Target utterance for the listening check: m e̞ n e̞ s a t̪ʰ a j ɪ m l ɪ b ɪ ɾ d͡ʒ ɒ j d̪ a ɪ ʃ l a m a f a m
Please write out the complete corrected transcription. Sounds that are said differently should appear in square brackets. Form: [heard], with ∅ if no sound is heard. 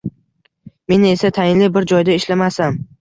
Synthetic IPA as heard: m e̞ n e̞ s a t̪ʰ a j ɪ [n] l ɪ b ɪ ɾ d͡ʒ ɒ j d̪ a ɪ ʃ l a m a [s] a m